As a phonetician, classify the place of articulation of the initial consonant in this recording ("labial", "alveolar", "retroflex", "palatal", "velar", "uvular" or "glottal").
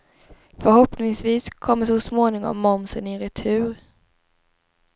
labial